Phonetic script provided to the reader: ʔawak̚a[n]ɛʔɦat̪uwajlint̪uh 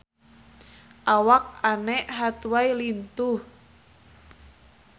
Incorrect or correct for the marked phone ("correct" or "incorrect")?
correct